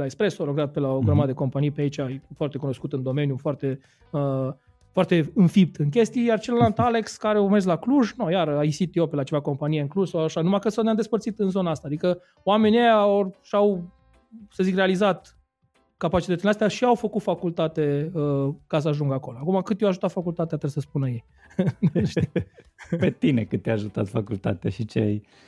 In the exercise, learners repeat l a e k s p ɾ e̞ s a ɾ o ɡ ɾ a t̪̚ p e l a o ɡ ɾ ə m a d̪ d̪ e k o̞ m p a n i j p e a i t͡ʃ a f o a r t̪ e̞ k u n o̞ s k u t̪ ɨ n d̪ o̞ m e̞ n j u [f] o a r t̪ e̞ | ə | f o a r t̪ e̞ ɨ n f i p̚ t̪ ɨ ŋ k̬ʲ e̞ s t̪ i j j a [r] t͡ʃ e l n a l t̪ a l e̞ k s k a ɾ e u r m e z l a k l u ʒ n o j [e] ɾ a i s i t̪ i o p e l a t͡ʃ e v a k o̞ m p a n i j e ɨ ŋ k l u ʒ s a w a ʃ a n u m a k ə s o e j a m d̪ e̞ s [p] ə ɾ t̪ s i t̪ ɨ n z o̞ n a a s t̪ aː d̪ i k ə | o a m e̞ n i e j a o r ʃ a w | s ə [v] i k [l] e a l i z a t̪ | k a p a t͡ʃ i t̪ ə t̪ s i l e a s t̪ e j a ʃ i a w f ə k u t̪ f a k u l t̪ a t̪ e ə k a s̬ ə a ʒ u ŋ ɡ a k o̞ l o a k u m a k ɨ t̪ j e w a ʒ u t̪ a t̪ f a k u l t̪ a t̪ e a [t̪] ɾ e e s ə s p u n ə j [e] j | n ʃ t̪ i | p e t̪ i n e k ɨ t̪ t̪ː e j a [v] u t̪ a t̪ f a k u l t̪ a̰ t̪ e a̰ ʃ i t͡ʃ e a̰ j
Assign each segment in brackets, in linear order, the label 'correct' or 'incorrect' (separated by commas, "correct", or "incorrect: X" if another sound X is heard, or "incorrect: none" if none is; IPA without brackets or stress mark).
correct, correct, incorrect: a, correct, incorrect: z, incorrect: r, correct, correct, incorrect: ʒ